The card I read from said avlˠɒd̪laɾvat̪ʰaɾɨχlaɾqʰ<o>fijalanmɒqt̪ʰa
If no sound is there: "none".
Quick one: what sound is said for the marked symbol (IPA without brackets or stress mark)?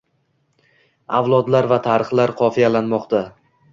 ɒ